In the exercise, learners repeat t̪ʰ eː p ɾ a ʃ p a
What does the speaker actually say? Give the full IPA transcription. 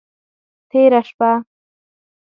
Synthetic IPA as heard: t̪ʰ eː ɾ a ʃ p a